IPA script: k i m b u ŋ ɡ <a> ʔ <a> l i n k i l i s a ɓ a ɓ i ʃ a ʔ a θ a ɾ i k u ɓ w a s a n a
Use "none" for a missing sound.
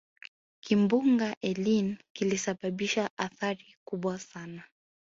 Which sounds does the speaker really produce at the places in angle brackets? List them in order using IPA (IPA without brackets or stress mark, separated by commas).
a, ɛ